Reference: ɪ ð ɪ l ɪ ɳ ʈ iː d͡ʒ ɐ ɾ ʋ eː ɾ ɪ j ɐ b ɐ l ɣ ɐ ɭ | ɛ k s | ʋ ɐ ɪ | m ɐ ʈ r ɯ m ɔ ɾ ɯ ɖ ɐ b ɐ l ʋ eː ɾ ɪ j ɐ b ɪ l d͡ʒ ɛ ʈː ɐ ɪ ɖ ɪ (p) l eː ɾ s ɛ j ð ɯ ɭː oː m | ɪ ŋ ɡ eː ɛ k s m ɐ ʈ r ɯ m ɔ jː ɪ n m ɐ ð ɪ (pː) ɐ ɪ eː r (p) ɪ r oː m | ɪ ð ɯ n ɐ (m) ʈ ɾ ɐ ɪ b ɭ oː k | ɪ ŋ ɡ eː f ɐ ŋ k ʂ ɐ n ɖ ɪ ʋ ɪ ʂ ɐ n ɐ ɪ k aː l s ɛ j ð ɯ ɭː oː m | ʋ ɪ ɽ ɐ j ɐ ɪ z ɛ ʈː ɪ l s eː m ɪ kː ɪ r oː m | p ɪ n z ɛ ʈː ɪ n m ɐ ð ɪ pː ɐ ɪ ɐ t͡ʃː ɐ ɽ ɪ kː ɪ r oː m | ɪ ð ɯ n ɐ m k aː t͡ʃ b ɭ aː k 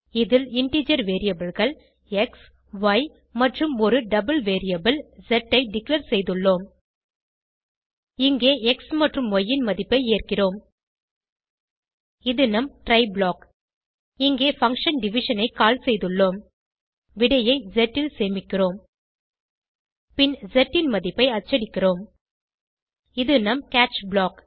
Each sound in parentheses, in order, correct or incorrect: incorrect: k, correct, incorrect: k, correct

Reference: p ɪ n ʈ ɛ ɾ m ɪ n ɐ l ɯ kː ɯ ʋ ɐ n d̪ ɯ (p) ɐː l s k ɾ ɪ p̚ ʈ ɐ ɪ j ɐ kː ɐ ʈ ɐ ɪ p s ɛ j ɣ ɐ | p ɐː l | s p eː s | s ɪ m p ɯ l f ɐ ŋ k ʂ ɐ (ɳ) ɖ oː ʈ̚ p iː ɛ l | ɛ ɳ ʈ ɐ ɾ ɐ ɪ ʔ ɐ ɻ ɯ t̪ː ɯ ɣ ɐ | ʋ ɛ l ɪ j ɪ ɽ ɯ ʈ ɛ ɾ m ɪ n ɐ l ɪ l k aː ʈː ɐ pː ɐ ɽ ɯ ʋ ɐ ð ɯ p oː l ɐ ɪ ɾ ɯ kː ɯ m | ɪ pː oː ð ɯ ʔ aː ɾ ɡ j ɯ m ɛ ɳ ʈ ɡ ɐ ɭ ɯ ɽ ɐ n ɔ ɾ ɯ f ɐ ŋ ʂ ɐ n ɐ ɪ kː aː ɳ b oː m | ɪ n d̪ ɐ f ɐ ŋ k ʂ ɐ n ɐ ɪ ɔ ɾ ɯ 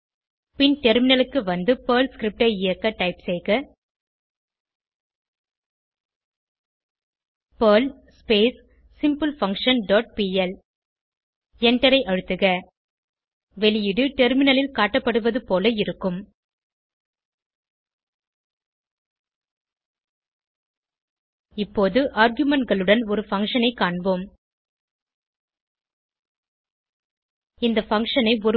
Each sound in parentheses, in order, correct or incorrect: correct, incorrect: n

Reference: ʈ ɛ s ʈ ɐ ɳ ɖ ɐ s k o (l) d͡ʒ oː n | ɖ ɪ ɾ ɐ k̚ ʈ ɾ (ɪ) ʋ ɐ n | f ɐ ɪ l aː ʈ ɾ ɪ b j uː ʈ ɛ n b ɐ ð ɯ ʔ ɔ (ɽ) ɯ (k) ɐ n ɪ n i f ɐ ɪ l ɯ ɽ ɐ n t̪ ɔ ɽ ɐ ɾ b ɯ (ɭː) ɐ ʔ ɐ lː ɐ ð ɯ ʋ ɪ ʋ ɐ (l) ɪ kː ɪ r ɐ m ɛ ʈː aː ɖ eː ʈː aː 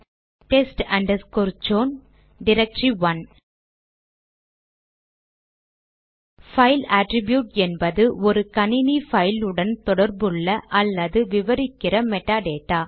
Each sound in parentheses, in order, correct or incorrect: incorrect: ɾ, incorrect: i, incorrect: ɾ, correct, correct, incorrect: ɾ

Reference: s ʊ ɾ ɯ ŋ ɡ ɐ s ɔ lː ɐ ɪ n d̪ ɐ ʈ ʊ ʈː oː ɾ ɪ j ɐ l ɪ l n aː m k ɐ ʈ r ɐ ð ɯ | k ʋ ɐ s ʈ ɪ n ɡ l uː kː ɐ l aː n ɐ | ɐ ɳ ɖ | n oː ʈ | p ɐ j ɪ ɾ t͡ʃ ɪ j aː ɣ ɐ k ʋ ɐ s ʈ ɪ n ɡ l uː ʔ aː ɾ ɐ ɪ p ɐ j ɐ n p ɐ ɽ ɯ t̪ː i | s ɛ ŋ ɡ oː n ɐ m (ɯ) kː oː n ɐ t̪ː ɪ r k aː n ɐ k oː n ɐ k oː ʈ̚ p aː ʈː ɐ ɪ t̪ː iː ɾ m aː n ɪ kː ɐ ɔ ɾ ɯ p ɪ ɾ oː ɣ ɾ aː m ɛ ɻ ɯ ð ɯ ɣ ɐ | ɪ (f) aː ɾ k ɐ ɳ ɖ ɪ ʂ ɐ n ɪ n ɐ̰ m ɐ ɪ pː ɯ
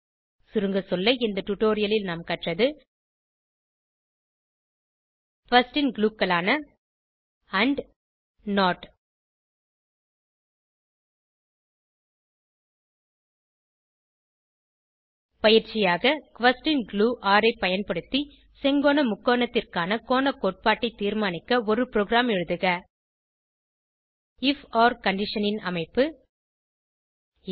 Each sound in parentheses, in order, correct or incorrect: incorrect: ʊ, correct

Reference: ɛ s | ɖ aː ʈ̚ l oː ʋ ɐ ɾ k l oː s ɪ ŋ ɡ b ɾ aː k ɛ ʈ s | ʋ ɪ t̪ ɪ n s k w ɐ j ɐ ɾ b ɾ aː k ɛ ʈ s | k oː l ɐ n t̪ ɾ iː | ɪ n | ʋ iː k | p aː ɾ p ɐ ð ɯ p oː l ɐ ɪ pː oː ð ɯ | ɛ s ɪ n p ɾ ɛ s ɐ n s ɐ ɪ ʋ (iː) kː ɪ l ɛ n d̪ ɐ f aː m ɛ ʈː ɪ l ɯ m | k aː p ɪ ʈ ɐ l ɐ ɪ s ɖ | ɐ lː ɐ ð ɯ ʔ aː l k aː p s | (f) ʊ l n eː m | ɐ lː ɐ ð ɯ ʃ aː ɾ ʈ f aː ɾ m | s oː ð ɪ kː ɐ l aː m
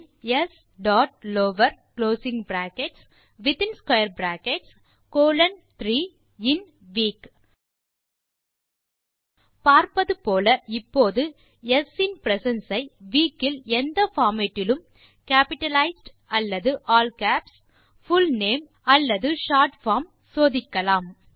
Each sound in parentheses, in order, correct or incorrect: correct, correct

